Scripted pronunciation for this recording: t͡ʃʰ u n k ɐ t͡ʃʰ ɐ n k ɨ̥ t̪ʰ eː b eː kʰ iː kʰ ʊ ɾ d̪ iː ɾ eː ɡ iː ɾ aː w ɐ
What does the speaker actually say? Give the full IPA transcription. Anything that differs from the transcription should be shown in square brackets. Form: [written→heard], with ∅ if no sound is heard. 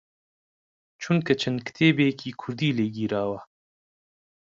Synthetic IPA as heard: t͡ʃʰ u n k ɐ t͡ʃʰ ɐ n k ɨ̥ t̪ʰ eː b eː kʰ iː kʰ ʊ ɾ d̪ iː [ɾ→l] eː ɡ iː ɾ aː w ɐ